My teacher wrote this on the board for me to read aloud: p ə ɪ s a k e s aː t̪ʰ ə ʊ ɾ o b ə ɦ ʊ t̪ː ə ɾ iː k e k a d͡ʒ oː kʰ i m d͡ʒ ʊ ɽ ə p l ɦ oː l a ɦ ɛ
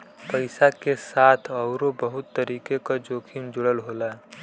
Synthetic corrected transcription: p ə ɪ s a k e s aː t̪ʰ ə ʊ ɾ o b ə ɦ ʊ t̪ː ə ɾ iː k e k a d͡ʒ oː kʰ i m d͡ʒ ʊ ɽ ə l ɦ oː l a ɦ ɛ